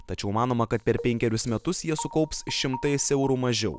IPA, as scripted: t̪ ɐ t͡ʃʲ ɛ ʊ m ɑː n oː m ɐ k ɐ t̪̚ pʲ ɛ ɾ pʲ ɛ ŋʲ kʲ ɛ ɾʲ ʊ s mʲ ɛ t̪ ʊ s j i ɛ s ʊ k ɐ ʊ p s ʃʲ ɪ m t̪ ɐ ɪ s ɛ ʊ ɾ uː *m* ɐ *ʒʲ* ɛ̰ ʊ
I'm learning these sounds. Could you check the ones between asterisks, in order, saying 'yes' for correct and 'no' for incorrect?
yes, yes

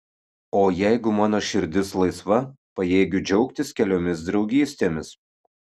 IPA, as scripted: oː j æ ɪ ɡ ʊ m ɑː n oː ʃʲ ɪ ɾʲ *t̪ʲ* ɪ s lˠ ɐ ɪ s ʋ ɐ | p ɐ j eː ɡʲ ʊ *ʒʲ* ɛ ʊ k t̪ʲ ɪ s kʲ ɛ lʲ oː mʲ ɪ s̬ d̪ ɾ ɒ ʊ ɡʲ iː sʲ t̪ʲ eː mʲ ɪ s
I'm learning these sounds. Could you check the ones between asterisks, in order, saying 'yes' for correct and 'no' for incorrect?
no, no

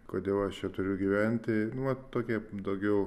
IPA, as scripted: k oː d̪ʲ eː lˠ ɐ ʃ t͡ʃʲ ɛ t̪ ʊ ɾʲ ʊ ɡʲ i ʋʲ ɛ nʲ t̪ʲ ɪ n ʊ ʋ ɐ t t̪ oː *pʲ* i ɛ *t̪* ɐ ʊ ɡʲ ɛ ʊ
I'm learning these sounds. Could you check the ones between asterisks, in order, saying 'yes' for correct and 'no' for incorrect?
no, no

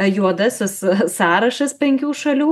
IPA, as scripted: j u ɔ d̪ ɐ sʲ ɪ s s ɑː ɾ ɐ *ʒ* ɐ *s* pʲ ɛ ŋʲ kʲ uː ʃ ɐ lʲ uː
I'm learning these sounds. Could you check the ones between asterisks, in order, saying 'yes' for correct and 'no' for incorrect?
no, yes

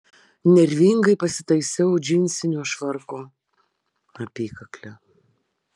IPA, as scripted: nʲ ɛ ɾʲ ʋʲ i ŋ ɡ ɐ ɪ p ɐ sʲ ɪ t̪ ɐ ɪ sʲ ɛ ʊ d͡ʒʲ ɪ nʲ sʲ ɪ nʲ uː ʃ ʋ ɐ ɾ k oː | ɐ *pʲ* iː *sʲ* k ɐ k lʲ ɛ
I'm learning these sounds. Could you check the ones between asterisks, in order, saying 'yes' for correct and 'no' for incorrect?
yes, no

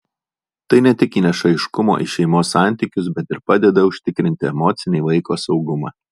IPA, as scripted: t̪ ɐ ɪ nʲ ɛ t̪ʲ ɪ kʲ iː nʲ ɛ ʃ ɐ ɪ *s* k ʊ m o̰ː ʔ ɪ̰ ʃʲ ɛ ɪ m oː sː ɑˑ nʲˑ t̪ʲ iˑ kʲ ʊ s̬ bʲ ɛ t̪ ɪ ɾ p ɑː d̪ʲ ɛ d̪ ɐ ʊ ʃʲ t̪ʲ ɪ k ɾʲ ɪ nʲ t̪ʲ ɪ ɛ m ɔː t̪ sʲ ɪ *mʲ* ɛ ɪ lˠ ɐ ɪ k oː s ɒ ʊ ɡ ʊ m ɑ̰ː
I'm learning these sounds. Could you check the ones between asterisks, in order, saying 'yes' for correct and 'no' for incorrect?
no, no

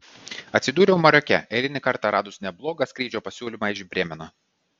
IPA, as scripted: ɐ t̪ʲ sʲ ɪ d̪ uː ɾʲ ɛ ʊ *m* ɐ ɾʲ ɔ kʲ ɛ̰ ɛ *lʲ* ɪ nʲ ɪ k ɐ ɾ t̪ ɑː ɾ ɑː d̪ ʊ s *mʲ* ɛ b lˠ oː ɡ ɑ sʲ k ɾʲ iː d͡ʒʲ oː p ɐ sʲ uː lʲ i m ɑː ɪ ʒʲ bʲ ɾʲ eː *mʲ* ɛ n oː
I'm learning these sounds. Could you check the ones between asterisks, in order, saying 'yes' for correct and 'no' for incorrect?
yes, yes, no, yes

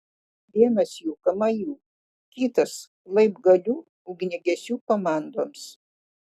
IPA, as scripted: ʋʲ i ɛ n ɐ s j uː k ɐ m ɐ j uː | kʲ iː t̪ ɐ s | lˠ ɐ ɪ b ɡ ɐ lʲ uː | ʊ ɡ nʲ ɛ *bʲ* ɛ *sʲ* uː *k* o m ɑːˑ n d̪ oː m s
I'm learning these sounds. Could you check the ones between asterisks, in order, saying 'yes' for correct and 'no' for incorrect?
no, yes, yes

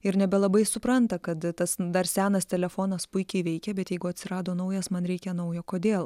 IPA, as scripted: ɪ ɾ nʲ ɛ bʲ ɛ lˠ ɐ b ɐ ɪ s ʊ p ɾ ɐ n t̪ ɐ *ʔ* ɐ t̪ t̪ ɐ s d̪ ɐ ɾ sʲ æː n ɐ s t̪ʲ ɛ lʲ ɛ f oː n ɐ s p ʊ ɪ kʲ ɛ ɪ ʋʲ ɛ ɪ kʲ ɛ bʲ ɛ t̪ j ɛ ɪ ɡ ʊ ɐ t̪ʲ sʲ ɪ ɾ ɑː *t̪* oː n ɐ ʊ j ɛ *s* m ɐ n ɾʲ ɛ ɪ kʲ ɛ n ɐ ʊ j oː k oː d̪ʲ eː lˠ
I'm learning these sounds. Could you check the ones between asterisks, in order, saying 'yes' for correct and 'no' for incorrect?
no, no, yes

